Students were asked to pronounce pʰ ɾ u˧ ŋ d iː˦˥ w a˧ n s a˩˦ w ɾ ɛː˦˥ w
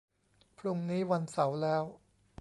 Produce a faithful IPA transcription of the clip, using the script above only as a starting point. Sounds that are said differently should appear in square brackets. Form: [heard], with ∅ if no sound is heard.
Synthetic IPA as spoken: pʰ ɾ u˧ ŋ [n] iː˦˥ w a˧ n s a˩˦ w [l] ɛː˦˥ w